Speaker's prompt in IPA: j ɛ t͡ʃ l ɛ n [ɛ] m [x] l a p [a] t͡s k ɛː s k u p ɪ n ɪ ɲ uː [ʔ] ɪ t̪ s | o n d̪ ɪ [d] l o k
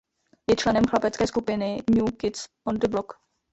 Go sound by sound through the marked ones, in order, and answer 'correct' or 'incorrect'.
correct, correct, incorrect: ɛ, incorrect: k, incorrect: b

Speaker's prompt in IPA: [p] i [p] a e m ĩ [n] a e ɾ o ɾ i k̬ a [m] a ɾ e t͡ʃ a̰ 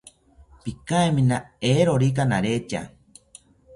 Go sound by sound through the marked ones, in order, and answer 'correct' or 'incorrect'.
correct, incorrect: k, correct, incorrect: n

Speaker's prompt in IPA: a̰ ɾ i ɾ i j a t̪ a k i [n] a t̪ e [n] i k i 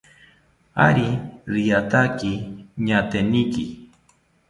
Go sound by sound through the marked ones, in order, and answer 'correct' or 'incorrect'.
incorrect: ɲ, correct

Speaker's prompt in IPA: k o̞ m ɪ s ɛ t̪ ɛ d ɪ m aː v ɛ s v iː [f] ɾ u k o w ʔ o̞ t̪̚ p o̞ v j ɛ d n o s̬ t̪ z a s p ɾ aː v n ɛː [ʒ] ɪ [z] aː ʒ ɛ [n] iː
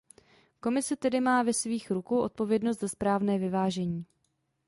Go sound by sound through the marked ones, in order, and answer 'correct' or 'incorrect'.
incorrect: x, incorrect: v, incorrect: v, incorrect: ɲ

